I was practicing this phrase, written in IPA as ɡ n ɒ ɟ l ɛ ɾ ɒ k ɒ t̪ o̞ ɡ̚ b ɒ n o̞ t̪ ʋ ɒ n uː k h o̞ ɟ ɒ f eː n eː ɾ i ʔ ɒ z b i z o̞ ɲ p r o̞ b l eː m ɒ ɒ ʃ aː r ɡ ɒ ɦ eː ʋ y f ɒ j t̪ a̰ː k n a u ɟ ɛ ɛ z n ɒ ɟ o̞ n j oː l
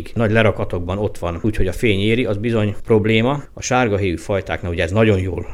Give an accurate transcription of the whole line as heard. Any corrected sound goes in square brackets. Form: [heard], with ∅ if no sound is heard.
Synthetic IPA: ɡ n ɒ ɟ l ɛ ɾ ɒ k ɒ t̪ o̞ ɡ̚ b ɒ n o̞ t̪ ʋ ɒ n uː [c] h o̞ ɟ ɒ f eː [ɲ] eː ɾ i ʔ ɒ z b i z o̞ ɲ p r o̞ b l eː m ɒ ɒ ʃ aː r ɡ ɒ ɦ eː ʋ y f ɒ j t̪ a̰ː k n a u ɟ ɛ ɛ z n ɒ ɟ o̞ n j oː l